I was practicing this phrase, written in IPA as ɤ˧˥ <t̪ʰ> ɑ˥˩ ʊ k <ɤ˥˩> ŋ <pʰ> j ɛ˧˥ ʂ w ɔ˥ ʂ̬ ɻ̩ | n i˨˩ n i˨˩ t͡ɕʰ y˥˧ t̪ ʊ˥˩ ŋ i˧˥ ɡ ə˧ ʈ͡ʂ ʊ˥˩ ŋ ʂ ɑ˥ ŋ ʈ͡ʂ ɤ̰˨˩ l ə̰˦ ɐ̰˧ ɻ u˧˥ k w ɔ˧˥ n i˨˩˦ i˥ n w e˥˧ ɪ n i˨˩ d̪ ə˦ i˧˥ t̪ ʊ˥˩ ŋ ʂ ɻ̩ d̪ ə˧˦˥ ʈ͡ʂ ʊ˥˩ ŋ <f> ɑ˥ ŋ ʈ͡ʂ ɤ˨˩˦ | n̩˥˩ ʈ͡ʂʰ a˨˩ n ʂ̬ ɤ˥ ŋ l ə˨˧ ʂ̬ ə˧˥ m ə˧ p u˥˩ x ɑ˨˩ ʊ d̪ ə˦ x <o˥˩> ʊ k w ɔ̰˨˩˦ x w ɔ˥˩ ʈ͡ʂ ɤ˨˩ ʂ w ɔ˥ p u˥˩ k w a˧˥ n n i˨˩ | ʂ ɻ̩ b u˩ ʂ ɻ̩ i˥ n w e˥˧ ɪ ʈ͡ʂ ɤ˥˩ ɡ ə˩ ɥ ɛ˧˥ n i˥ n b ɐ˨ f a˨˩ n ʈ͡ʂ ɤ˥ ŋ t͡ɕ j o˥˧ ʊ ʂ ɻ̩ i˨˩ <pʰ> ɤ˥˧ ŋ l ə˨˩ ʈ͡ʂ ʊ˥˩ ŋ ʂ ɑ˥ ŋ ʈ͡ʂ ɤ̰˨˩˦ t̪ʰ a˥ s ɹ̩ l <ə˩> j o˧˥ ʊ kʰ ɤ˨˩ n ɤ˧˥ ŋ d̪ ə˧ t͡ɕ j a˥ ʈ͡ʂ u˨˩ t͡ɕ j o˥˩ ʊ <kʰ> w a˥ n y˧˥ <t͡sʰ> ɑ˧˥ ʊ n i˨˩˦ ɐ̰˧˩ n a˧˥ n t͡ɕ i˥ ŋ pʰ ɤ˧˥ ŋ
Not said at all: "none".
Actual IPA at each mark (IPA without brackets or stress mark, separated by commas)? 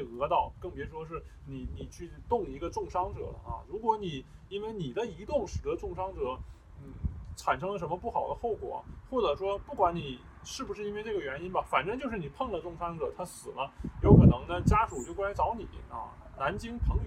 t̪, ɤ˥˩, p, ʂ, o˥˩, pʰ, ə˦, k, t͡s